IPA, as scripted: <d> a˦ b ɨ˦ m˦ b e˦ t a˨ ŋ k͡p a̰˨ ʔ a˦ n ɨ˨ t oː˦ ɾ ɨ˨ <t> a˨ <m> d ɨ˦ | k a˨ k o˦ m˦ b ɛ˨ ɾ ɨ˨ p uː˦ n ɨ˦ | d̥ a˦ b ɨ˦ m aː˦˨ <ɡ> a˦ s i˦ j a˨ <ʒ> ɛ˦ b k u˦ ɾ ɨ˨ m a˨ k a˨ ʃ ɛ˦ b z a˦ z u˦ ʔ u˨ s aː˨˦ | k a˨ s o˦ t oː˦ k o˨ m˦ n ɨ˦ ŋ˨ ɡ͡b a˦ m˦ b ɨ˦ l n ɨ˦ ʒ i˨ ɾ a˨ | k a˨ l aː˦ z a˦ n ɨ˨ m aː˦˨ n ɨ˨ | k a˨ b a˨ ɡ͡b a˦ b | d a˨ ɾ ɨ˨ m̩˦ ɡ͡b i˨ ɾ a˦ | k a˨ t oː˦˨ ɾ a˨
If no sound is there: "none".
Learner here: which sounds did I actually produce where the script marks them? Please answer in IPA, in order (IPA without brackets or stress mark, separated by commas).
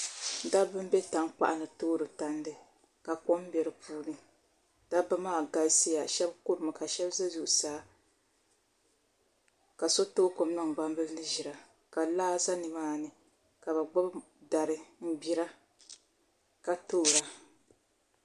d, t, n, ɡ, ʃ